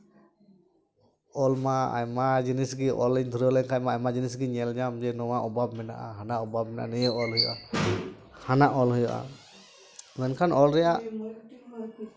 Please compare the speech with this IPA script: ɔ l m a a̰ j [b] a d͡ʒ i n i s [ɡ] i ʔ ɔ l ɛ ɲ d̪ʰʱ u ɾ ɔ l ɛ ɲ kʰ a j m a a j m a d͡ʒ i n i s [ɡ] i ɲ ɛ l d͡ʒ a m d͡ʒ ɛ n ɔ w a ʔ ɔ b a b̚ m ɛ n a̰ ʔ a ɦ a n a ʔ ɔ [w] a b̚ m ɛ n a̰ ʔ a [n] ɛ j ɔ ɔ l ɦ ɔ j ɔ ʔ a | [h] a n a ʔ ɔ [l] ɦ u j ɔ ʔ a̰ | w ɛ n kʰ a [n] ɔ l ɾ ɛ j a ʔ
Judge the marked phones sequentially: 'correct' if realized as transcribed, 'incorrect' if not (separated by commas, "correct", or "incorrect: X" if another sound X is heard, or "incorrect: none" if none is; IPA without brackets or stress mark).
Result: incorrect: m, correct, correct, incorrect: b, correct, correct, correct, correct